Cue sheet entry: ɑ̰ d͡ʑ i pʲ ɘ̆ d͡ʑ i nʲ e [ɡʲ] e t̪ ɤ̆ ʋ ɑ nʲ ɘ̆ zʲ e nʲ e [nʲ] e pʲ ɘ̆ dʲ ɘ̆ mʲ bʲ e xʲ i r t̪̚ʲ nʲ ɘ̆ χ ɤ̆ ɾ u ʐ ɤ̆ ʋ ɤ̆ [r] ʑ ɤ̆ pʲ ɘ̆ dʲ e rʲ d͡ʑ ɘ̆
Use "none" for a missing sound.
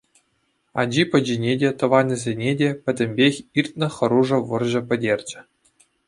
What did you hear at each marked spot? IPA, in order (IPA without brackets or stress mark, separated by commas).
dʲ, dʲ, r